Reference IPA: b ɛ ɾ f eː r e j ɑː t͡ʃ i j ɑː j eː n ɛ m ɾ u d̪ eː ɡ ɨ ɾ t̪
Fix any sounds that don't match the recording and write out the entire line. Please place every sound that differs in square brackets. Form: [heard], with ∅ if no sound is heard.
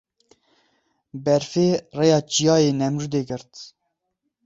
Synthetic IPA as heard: b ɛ ɾ f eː r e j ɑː t͡ʃ i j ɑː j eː n ɛ m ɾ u d̪ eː ɡ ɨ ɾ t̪